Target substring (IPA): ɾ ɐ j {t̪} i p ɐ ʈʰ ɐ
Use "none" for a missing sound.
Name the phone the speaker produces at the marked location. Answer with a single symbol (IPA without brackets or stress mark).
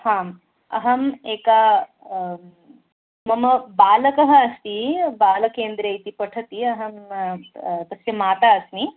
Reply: t̪